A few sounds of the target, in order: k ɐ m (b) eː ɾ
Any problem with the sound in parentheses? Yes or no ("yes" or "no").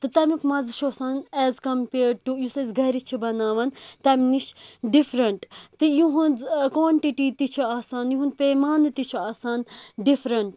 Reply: yes